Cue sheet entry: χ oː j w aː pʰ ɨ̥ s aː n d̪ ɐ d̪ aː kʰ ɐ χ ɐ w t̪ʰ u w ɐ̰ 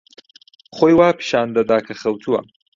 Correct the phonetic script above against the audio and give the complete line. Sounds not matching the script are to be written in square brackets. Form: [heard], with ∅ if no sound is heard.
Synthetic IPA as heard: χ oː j w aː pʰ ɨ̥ [ʃ] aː n d̪ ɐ d̪ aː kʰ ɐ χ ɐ w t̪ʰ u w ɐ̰